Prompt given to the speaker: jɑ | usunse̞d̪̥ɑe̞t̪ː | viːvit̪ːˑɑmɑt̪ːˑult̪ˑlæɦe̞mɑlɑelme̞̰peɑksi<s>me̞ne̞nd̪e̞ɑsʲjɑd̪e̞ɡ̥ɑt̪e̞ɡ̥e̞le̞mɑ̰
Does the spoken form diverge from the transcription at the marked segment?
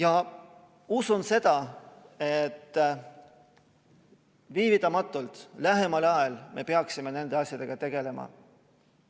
yes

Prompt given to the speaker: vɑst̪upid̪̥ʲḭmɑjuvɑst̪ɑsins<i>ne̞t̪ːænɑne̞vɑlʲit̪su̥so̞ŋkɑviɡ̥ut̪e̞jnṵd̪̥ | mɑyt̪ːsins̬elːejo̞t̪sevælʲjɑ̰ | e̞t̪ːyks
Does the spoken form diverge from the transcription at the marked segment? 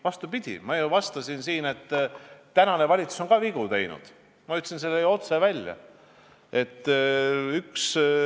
yes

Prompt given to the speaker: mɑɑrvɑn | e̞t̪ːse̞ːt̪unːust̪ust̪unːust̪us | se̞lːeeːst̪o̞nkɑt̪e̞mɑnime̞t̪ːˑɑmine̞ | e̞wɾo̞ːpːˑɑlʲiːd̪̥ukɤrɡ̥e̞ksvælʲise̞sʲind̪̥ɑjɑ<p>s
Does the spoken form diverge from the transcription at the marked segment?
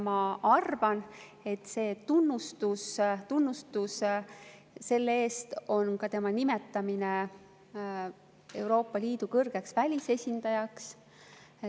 yes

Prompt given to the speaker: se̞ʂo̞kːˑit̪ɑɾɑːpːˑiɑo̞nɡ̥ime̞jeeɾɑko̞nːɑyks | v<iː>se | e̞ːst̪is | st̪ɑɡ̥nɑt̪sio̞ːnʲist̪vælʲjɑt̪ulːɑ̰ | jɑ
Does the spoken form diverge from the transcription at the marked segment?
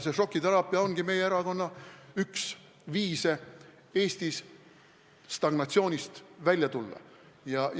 no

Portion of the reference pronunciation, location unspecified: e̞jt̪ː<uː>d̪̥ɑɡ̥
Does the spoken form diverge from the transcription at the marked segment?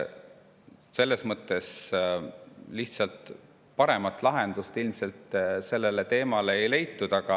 yes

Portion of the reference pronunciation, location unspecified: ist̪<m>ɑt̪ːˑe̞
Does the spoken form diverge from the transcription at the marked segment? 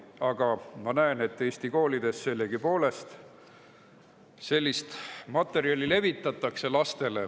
no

